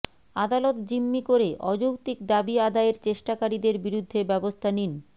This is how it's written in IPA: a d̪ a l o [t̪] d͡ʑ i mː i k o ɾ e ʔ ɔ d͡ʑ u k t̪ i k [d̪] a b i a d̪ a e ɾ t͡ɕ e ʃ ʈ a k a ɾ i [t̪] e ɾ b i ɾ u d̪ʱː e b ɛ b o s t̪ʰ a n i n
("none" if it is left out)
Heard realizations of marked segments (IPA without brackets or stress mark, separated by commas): t̪, d̪, d̪